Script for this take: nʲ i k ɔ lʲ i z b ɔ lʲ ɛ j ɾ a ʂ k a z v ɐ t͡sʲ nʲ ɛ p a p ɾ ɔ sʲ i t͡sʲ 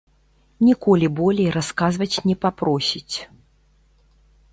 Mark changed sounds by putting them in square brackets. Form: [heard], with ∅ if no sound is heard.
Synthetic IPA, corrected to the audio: nʲ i k ɔ lʲ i [∅] b ɔ lʲ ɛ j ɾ a [s] k a z v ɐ t͡sʲ nʲ ɛ p a p ɾ ɔ sʲ i t͡sʲ